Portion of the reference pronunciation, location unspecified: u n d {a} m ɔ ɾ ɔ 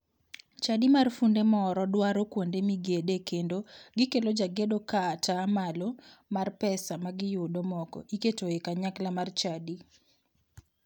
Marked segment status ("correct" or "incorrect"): incorrect